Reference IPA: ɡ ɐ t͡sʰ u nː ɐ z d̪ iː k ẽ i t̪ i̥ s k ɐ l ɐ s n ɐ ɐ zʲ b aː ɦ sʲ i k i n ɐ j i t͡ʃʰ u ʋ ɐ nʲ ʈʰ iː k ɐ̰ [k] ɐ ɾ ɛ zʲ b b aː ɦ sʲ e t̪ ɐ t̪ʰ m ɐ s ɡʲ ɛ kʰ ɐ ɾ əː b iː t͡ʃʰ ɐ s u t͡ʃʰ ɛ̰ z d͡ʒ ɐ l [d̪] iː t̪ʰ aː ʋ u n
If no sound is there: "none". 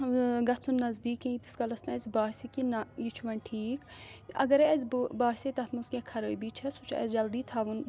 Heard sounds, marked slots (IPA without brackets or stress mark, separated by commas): ɡ, d̪